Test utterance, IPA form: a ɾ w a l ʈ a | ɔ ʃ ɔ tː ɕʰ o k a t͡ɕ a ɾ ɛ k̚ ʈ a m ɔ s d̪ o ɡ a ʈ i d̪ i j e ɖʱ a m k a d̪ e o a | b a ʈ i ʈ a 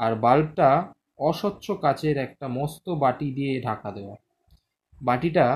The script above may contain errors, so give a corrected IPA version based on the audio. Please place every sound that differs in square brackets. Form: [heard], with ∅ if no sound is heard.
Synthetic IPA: a ɾ [b] a l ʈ a | ɔ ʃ ɔ tː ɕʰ o k a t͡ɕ [e] ɾ ɛ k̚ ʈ a m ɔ s [t̪] o [b] a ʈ i d̪ i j e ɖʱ a [∅] k a d̪ e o a | b a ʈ i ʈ a